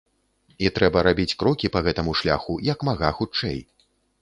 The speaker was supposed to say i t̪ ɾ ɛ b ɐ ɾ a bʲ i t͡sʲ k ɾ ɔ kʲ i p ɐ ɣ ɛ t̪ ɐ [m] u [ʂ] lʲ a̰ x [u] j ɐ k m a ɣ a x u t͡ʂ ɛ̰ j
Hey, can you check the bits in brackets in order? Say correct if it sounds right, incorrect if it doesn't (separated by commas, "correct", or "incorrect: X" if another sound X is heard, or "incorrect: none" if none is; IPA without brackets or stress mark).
correct, correct, correct